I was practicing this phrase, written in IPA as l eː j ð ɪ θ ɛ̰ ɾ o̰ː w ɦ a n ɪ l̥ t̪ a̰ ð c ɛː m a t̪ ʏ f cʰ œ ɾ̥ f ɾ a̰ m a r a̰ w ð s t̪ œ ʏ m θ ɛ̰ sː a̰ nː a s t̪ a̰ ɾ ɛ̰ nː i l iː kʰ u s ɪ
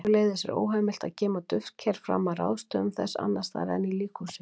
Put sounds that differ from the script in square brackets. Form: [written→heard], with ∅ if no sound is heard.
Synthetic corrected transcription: l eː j ð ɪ [θ→s] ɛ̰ ɾ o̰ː w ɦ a [n→m] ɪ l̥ t̪ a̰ ð c ɛː m a t̪ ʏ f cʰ [œ→ɛ] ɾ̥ f ɾ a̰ m a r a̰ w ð s t̪ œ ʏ m θ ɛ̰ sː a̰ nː a s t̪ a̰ ɾ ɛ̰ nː i l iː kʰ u s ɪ